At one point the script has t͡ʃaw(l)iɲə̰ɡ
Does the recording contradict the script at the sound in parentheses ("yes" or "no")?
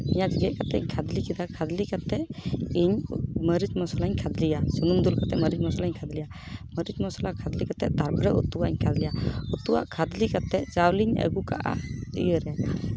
no